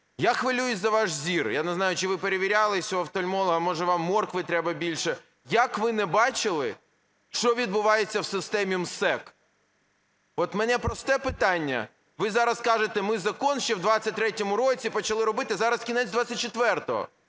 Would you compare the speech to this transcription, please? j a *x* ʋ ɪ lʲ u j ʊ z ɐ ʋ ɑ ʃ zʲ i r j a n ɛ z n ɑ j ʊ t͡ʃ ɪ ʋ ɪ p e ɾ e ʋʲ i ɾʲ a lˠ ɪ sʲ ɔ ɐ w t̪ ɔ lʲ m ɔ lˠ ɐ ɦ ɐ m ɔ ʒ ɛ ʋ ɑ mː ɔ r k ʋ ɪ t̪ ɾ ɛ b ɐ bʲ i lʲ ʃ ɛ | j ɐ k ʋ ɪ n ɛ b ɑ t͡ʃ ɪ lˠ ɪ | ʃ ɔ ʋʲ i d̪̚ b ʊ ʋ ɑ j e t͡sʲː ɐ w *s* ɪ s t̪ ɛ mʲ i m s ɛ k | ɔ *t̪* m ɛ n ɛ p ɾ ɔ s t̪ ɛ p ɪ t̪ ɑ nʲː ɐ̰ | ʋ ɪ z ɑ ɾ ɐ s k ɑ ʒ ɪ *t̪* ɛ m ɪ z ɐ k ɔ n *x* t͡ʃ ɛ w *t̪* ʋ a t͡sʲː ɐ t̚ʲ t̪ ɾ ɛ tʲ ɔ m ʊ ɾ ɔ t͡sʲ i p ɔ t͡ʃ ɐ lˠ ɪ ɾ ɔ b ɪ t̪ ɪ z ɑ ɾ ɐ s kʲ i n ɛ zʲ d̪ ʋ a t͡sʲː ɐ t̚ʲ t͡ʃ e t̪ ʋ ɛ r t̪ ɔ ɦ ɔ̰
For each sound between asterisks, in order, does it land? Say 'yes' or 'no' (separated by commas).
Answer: yes, yes, yes, yes, no, no